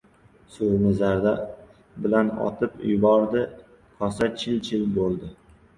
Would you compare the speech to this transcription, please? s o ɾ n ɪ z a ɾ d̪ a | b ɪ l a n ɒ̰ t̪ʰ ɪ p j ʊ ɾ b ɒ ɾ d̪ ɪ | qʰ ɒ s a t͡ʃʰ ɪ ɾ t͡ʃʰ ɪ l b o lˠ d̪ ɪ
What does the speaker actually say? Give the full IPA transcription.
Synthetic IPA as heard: s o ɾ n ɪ z a ɾ d̪ a | b ɪ l a n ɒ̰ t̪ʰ ɪ p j ʊ b ɒ ɾ d̪ ɪ | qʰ ɒ s a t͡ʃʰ ɪ l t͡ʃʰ ɪ l b o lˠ d̪ ɪ